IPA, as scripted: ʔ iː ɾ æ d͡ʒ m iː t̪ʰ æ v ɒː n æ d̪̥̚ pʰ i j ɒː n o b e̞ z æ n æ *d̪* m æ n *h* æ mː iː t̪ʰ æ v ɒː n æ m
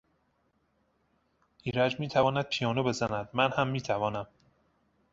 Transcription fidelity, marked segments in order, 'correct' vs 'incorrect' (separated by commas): correct, correct